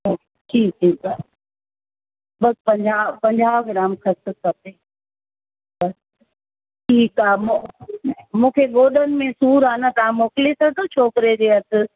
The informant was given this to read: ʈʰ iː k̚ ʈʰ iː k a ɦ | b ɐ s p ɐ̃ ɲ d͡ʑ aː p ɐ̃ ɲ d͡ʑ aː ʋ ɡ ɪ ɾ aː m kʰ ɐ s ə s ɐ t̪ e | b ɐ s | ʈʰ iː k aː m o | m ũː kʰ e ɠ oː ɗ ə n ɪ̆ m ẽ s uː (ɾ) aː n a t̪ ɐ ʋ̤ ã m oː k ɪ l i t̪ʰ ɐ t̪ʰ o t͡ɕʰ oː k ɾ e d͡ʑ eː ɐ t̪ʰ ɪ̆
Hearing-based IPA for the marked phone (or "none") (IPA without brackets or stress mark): ɾ